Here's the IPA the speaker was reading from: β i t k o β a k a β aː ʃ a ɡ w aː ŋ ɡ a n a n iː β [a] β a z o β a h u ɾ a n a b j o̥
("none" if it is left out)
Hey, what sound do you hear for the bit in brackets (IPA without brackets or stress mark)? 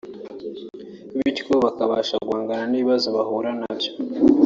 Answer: i